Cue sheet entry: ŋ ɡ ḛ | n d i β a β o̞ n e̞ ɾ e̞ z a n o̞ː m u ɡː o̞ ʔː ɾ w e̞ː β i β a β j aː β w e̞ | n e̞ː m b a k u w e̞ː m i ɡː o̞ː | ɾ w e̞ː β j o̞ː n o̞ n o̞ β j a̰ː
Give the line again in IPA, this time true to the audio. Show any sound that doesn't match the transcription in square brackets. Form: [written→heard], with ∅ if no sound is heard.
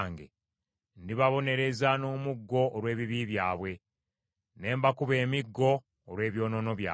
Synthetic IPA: ŋ ɡ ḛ | n d i β a β o̞ n e̞ ɾ e̞ z a n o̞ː m u ɡː o̞ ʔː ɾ w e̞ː β i β [a→i] β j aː β w e̞ | n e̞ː m b a k u [w→β] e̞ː m i ɡː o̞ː | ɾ w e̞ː β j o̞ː n o̞ n o̞ β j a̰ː